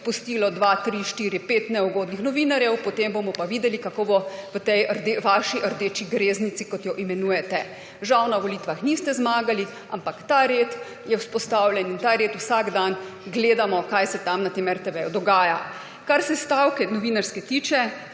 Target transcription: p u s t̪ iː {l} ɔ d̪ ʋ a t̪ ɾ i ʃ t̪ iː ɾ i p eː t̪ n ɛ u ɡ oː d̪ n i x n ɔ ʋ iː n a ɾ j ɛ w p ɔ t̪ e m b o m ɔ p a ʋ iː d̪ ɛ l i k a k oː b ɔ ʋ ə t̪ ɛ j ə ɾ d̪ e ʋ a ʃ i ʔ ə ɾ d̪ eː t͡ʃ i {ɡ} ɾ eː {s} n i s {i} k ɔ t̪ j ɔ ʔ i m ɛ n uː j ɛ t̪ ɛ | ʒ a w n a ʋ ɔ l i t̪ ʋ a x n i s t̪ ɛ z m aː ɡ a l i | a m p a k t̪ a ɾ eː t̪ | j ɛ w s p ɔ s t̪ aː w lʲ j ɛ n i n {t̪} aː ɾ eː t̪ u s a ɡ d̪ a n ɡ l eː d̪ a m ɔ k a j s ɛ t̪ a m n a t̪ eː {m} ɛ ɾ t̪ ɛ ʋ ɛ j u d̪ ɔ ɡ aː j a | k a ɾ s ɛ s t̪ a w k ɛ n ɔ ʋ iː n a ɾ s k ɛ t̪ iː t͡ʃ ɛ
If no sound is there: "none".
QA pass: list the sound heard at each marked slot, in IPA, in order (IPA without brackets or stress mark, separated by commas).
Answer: l, ɡ, z, i, t̪, m